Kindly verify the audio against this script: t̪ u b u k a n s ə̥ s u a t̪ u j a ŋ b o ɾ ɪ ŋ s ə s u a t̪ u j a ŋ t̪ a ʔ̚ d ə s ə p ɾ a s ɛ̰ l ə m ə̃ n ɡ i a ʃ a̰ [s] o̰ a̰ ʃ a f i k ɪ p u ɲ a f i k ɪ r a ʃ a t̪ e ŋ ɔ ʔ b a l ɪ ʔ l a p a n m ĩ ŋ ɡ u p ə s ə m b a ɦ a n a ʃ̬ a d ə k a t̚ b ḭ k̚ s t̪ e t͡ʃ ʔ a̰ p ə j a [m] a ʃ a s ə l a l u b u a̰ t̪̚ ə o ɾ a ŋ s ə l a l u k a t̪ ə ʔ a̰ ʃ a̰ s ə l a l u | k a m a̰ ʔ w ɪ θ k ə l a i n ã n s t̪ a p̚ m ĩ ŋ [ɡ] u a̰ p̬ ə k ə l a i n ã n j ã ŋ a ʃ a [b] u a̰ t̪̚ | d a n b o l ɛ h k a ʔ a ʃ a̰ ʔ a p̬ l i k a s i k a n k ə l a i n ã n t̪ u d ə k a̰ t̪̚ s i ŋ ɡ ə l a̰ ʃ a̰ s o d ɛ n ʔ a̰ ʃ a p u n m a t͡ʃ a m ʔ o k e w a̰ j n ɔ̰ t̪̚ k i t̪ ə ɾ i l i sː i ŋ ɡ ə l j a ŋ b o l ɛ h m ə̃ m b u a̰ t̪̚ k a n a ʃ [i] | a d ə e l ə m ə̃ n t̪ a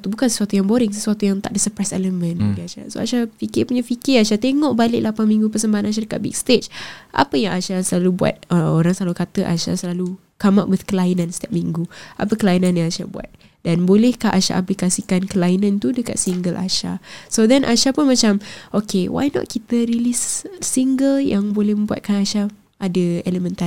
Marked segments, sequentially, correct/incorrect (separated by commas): correct, incorrect, correct, correct, incorrect